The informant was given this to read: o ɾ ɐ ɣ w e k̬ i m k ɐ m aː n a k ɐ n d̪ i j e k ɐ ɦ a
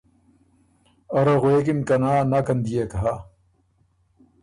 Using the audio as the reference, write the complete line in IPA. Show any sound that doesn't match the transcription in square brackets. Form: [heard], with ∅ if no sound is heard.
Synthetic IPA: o ɾ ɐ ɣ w e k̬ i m k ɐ [n] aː n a k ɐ n d̪ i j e k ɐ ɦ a